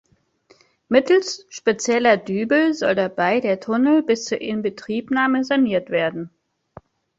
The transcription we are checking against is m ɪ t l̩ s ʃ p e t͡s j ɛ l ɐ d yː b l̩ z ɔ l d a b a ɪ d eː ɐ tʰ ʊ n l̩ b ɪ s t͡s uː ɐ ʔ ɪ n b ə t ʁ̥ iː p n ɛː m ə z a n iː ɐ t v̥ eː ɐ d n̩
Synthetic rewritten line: m ɪ t l̩ s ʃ p e t͡s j ɛ l ɐ d yː b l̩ z ɔ l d a b a ɪ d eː ɐ tʰ ʊ n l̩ b ɪ s t͡s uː ɐ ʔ ɪ n b ə t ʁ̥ iː p n aː m ə z a n iː ɐ t v̥ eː ɐ d n̩

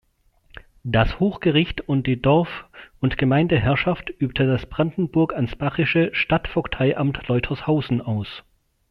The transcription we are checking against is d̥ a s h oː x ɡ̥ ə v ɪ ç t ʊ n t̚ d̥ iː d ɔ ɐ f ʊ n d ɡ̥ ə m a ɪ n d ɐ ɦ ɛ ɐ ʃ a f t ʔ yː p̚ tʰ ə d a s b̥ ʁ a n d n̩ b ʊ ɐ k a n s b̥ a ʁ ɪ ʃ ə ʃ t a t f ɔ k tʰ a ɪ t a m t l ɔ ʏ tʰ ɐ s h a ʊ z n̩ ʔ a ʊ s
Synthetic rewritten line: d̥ a s h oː x ɡ̥ ə ʁ ɪ ç t ʊ n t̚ d̥ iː d ɔ ɐ f ʊ n t ɡ̥ ə m a ɪ n d ə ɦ ɛ ɐ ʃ a f t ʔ yː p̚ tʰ ə d a s b̥ ʁ a n d n̩ b ʊ ɐ k a n s b̥ a ʁ ɪ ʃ ə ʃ t a t f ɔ k tʰ a ɪ ʔ a m t l ɔ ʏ tʰ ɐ s h a ʊ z n̩ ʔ a ʊ s

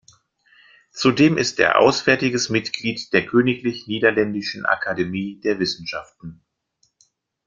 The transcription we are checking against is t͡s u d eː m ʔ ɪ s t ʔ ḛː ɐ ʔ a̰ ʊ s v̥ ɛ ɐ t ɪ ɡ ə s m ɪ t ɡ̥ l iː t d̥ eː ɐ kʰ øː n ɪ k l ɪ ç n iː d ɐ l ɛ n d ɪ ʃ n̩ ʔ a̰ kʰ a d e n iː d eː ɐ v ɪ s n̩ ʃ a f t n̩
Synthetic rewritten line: t͡s u d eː m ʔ ɪ s t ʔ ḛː ɐ ʔ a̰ ʊ s v̥ ɛ ɐ t ɪ ɡ ə s m ɪ t ɡ̥ l iː t d̥ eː ɐ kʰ øː n ɪ k l ɪ ç n iː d ɐ l ɛ n d ɪ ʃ n̩ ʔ a̰ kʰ a d e m iː d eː ɐ v ɪ s n̩ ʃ a f t n̩

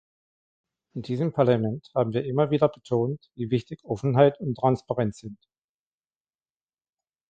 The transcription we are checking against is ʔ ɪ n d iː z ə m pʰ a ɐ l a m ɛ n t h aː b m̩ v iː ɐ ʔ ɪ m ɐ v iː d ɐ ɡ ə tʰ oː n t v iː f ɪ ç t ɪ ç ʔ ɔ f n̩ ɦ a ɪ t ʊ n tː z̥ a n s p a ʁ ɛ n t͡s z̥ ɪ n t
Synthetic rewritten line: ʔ ɪ n d iː z ə m pʰ a ɐ l a m ɛ n t h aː b m̩ v iː ɐ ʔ ɪ m ɐ v iː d ɐ b ə tʰ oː n t v iː v ɪ ç t ɪ ç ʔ ɔ f n̩ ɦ a ɪ t ʊ n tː ʁ̥ a n s p a ʁ ɛ n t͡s z̥ ɪ n t

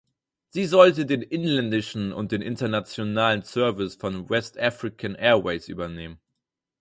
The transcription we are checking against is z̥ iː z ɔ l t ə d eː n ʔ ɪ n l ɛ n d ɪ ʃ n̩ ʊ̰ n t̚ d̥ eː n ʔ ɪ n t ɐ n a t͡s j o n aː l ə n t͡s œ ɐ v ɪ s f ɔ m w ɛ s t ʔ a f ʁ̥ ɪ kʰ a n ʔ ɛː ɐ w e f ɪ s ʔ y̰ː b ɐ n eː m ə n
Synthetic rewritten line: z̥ iː z ɔ l t ə d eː n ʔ ɪ n l ɛ n d ɪ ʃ n̩ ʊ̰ n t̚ d̥ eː n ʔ ɪ n t ɐ n a t͡s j o n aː l ə n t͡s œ ɐ v ɪ s f ɔ n w ɛ s t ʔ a f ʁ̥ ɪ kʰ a n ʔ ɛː ɐ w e ɪ s ʔ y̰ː b ɐ n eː m ə n

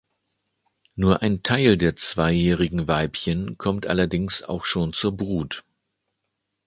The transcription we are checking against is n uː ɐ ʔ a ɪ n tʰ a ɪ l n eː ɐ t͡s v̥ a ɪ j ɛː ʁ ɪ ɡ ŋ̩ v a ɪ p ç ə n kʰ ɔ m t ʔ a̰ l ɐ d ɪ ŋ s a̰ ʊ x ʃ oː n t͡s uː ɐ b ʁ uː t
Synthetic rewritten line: n uː ɐ ʔ a ɪ n tʰ a ɪ l d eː ɐ t͡s v̥ a ɪ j ɛː ʁ ɪ ɡ ŋ̩ v a ɪ p ç ə n kʰ ɔ m t ʔ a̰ l ɐ d ɪ ŋ s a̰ ʊ x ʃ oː n t͡s uː ɐ b ʁ uː t

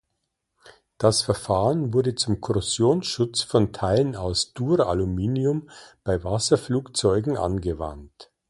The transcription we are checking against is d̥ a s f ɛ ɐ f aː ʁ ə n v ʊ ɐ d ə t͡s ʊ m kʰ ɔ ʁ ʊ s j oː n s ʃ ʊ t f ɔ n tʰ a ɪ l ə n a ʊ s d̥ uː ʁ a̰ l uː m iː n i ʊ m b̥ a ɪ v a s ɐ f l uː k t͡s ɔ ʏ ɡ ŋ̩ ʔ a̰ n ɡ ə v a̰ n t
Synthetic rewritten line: d̥ a s f ɛ ɐ f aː ʁ ə n v ʊ ɐ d ə t͡s ʊ m kʰ ɔ ʁ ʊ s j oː n s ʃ ʊ t͡s f ɔ n tʰ a ɪ l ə n a ʊ s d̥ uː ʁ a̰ l u m iː n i ʊ m b̥ a ɪ v a s ɐ f l uː k t͡s ɔ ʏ ɡ ŋ̩ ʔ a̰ n ɡ ə v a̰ n t

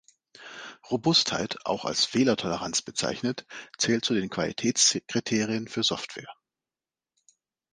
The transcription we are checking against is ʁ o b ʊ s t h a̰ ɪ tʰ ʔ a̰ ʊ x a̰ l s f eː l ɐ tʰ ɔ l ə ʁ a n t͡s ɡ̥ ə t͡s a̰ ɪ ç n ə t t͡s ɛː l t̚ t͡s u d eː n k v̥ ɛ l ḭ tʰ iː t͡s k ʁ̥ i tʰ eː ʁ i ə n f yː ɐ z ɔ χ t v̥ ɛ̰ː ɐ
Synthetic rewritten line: ʁ o b ʊ s t h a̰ ɪ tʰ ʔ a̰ ʊ x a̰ l s f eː l ɐ tʰ ɔ l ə ʁ a n t͡s b̥ ə t͡s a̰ ɪ ç n ə t t͡s ɛː l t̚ t͡s u d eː n k v̥ a l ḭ tʰ ɛː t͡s k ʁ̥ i tʰ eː ʁ i ə n f yː ɐ z ɔ f t v̥ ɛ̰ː ɐ

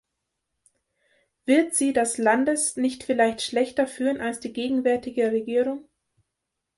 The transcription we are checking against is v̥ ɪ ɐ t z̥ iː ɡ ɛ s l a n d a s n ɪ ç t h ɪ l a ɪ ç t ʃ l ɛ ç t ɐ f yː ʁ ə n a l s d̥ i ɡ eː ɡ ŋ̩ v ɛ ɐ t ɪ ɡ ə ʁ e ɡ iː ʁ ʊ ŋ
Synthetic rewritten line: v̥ ɪ ɐ t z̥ iː d ɛ s l a n d ə s n ɪ ç t f ɪ l a ɪ ç t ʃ l ɛ ç t ɐ f yː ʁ ə n a l s d̥ iː ɡ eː ɡ ŋ̩ v ɛ ɐ t ɪ ɡ ə ʁ e ɡ iː ʁ ʊ ŋ

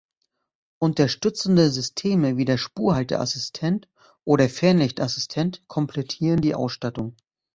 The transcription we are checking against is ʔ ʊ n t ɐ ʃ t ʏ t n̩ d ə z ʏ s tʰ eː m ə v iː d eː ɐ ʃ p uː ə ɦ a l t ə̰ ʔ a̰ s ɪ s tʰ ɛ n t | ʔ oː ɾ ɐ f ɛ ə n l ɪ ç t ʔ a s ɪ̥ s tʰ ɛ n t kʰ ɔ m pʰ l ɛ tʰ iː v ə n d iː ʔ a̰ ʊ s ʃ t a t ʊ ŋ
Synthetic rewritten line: ʔ ʊ n t ɐ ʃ t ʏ t͡s n̩ d ə z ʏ s tʰ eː m ə v iː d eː ɐ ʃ p uː ɐ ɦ a l t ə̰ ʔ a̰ s ɪ s tʰ ɛ n t | ʔ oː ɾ ɐ f ɛ ɐ n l ɪ ç t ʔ a s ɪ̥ s tʰ ɛ n t kʰ ɔ m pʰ l ɛ tʰ iː ʁ ə n d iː ʔ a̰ ʊ s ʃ t a t ʊ ŋ

